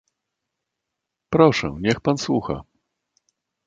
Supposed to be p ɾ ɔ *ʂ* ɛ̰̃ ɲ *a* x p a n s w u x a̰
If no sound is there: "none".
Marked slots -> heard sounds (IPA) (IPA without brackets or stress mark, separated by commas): ʂ, ɛ